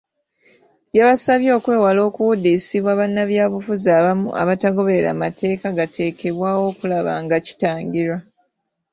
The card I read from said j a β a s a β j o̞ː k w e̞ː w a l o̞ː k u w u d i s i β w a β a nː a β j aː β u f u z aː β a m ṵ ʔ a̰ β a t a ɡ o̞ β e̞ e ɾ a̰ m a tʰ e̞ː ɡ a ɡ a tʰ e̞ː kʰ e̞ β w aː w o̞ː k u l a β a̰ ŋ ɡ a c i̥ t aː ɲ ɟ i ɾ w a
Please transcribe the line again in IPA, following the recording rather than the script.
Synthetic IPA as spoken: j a β a s a β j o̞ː k w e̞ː w a l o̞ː k u w u d i s i β w a β a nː a β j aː β u f u z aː β a m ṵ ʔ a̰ β a t a ɡ o̞ β e̞ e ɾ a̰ m a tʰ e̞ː k a ɡ a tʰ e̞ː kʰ e̞ β w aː w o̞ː k u l a β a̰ ŋ ɡ a c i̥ t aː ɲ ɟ i ɾ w a